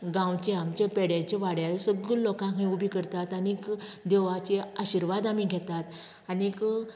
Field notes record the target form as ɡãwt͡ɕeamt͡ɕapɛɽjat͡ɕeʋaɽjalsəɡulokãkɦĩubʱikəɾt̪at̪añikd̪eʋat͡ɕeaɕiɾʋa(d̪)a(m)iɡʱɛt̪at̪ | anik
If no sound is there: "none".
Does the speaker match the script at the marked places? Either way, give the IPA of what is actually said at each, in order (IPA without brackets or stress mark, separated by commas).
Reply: d̪, m